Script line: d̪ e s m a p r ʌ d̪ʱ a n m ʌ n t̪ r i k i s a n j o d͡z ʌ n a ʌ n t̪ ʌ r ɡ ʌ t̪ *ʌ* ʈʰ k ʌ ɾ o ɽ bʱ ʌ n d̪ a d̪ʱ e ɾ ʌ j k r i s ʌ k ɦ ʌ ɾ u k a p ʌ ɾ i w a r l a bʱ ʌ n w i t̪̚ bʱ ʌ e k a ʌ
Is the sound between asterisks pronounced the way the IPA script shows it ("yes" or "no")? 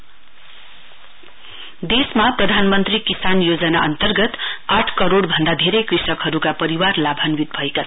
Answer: no